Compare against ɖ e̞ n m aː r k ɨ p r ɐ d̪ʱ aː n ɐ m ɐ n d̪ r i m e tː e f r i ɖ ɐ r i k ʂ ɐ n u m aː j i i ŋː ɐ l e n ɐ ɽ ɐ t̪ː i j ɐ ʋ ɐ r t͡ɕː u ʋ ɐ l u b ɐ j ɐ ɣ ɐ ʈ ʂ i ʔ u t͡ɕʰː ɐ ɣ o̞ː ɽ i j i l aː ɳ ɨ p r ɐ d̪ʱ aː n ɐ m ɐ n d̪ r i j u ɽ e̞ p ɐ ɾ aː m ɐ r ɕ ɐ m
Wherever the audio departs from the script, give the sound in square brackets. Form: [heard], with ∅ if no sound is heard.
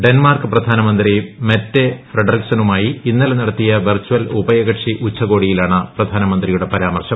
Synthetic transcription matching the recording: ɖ e̞ n m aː r k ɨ p r ɐ d̪ʱ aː n ɐ m ɐ n d̪ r i m e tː e f r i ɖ ɐ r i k [s] ɐ n u m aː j i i [nː] ɐ l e n ɐ ɽ ɐ t̪ː i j ɐ ʋ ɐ r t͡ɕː u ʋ ɐ l u b ɐ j ɐ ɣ ɐ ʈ ʂ i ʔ u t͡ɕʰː ɐ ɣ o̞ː ɽ i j i l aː ɳ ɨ p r ɐ d̪ʱ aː n ɐ m ɐ n d̪ r i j u ɽ e̞ p ɐ ɾ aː m ɐ r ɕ ɐ m